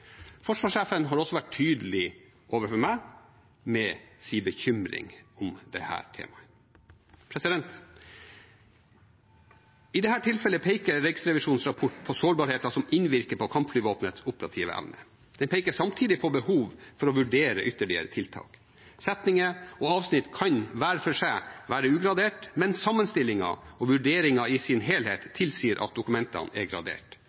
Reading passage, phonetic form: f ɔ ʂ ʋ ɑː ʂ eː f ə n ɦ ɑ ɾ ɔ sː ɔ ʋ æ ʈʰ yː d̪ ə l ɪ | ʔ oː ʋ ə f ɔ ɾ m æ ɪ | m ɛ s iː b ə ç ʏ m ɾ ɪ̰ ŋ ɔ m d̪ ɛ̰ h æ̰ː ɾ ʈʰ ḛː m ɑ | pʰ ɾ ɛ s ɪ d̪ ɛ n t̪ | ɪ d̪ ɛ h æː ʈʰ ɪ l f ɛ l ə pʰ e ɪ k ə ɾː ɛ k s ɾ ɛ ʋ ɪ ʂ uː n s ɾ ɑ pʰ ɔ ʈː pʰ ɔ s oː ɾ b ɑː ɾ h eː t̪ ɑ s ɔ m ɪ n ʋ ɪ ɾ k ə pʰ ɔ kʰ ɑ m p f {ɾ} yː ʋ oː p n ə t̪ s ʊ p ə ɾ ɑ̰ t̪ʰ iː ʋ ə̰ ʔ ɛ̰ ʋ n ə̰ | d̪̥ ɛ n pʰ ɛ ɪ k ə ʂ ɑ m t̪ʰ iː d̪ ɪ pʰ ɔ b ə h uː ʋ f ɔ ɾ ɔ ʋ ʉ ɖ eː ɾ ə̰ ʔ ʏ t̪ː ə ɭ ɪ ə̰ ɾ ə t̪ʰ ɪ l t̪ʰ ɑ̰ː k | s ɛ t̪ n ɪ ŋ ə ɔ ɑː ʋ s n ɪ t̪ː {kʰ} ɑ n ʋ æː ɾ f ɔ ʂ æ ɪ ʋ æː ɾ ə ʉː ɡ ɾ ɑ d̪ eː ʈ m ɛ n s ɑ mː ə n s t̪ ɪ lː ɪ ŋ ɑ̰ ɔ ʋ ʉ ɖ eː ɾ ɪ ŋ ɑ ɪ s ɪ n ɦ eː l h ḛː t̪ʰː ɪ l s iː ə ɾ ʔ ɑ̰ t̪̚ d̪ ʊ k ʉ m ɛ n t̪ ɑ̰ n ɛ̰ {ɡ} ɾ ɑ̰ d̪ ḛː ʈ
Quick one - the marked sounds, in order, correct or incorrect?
incorrect, correct, correct

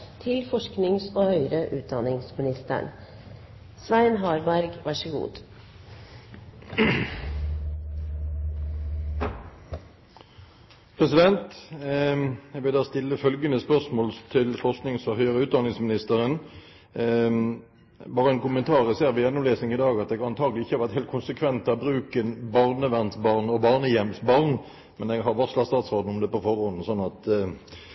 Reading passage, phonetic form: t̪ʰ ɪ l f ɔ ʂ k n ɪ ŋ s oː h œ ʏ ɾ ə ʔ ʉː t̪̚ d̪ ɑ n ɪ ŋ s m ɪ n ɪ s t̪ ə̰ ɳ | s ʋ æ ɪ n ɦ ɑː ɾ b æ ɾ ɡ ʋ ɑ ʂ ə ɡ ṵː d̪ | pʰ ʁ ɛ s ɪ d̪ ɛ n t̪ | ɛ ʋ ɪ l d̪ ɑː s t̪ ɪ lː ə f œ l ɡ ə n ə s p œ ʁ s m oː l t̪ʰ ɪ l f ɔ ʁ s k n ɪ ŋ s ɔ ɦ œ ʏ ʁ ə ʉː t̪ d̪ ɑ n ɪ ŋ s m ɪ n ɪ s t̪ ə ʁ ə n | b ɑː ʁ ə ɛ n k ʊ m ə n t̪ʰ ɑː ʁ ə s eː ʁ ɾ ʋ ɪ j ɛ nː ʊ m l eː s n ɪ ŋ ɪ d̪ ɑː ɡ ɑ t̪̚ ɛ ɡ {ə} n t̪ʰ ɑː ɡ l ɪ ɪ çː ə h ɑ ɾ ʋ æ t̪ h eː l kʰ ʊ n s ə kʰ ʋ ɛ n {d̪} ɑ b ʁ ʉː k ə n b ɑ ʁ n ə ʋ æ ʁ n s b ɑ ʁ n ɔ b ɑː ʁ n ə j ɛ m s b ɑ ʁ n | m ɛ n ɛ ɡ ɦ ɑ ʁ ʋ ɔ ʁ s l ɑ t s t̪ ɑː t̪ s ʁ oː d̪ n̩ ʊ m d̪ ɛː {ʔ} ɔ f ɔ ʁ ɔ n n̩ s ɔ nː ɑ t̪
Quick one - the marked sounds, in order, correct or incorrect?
incorrect, incorrect, incorrect

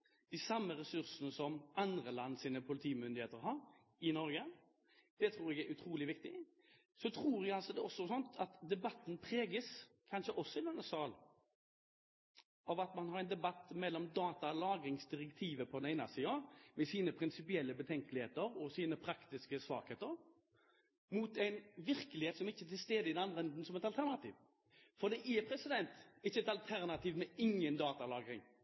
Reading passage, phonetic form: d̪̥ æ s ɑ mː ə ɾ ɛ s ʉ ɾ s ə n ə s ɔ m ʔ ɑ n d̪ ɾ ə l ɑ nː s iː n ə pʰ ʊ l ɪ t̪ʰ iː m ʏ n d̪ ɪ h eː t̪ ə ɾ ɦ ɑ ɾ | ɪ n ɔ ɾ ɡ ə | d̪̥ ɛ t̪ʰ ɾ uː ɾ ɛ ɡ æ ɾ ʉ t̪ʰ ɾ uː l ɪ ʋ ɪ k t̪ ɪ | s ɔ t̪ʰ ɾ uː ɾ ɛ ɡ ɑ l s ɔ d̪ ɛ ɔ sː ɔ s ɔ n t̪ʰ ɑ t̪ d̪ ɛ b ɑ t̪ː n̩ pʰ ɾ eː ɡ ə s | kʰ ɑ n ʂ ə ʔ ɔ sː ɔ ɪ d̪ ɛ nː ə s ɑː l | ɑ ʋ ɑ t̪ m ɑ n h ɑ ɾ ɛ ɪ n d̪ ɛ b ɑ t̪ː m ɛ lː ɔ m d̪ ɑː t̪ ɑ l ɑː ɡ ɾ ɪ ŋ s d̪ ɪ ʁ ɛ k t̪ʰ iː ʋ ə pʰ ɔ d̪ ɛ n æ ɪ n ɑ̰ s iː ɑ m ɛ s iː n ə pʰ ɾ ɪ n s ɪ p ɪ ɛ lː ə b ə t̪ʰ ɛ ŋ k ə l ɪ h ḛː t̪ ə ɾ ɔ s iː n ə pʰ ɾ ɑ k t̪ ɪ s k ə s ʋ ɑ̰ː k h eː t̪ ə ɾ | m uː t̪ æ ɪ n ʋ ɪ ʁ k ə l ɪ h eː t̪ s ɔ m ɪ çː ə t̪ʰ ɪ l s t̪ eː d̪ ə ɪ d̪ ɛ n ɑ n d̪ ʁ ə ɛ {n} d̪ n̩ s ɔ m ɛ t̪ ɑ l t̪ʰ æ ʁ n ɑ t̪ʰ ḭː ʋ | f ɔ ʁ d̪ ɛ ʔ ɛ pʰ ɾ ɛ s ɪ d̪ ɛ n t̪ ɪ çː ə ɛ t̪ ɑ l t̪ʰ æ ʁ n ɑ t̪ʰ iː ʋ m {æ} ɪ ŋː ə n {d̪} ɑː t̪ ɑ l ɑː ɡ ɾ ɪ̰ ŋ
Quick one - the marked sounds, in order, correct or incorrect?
correct, incorrect, correct

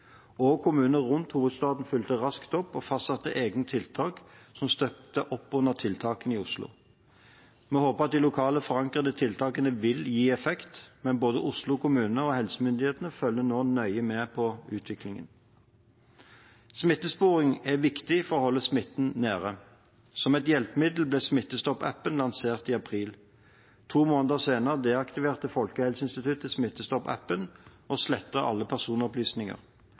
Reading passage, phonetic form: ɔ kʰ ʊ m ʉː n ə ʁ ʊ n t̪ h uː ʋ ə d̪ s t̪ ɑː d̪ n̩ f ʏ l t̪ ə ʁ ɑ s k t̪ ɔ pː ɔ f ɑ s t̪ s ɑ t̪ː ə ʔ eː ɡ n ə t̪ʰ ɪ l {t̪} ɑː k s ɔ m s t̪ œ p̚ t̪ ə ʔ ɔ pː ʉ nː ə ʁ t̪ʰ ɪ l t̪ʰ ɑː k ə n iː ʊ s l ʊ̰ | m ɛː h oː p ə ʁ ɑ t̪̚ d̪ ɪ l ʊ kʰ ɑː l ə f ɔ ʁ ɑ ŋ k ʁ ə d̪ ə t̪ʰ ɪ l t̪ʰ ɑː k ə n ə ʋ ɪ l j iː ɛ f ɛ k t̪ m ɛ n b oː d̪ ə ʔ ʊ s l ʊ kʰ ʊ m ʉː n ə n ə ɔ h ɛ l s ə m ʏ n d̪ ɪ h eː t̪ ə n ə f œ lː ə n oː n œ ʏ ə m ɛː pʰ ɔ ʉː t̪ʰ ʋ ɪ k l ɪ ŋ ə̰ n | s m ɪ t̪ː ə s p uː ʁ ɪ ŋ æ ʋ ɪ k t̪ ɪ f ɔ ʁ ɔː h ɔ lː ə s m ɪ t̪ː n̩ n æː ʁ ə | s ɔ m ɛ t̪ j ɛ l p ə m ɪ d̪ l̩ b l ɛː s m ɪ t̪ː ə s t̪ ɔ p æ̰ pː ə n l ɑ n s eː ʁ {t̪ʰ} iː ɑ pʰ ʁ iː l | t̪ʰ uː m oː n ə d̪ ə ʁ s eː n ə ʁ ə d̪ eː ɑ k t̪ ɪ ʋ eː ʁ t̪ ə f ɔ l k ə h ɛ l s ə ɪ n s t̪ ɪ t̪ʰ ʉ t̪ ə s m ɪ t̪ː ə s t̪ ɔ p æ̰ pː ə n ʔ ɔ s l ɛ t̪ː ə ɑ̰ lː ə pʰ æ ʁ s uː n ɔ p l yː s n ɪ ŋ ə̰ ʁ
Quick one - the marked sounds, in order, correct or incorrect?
incorrect, incorrect

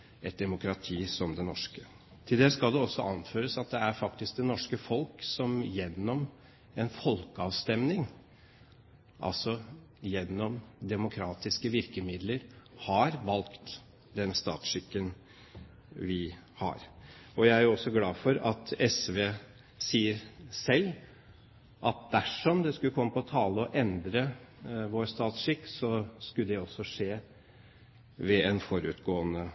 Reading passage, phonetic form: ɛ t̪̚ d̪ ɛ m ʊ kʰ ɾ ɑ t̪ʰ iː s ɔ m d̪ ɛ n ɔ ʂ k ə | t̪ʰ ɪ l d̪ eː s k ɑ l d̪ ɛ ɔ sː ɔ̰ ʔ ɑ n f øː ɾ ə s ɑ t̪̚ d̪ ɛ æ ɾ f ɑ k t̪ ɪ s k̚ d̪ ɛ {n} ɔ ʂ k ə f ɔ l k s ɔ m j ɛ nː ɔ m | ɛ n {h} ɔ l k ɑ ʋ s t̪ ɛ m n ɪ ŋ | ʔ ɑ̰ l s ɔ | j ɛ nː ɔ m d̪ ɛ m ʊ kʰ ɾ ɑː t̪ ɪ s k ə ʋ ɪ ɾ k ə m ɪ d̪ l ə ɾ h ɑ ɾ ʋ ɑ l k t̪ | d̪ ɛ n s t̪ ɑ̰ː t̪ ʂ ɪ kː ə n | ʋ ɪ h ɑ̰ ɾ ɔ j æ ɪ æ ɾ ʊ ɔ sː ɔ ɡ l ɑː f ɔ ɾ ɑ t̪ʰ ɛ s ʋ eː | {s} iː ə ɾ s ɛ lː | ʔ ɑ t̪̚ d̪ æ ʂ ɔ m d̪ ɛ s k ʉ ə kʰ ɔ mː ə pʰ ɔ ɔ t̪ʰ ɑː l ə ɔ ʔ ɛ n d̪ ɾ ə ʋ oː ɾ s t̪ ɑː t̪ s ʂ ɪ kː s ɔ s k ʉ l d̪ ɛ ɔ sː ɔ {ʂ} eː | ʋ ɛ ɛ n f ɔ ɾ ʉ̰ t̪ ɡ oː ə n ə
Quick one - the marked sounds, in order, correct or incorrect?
correct, incorrect, correct, correct

